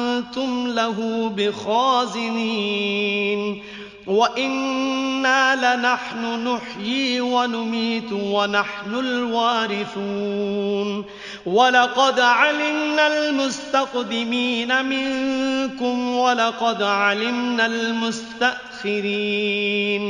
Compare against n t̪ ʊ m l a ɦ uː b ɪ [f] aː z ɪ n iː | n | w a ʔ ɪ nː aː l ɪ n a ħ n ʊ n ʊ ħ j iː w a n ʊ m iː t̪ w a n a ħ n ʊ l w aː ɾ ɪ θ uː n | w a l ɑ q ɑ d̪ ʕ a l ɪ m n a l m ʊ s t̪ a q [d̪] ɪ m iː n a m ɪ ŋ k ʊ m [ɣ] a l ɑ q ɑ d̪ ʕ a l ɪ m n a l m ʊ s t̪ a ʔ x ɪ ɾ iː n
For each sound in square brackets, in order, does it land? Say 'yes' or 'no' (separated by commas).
no, yes, no